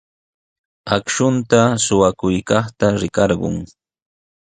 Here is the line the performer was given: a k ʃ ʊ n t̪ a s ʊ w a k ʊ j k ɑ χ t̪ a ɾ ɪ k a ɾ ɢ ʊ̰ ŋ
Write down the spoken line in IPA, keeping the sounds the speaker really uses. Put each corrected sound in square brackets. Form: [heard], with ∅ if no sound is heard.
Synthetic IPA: a k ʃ ʊ n t̪ a s ʊ w a k ʊ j k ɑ χ t̪ a ɾ ɪ k [ɑ] ɾ ɢ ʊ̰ ŋ